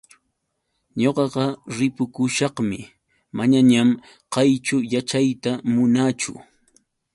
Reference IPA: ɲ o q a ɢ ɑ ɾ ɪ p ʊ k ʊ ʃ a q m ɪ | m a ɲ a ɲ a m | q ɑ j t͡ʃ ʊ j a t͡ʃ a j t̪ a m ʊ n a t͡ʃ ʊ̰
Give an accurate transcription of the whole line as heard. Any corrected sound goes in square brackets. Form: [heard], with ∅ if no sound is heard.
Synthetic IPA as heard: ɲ o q [ɑ] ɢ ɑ ɾ ɪ p ʊ k ʊ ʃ [ɑ] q m ɪ | m a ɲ a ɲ a m | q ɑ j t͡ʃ ʊ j a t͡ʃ a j t̪ a m ʊ n a t͡ʃ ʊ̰